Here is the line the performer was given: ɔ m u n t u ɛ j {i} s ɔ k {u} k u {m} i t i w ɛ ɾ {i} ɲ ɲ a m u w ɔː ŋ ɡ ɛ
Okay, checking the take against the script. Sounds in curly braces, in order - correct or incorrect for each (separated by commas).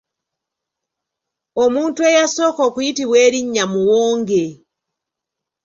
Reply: incorrect, incorrect, incorrect, correct